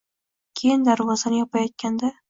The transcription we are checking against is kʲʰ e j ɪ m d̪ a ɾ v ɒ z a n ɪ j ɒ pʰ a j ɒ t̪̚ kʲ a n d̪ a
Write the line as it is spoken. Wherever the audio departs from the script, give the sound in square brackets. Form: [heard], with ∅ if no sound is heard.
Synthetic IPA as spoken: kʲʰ e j ɪ [n] d̪ a ɾ v ɒ z a n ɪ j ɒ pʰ a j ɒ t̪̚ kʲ a n d̪ a